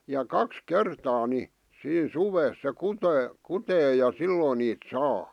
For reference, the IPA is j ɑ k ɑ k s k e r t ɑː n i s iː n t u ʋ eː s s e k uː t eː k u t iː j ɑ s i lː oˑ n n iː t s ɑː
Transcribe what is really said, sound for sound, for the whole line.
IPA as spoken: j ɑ k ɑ k s k e r t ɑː n i s iː n s u ʋ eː s s e k u t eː k u t eː j ɑ s i lː oˑ n n iː t s ɑː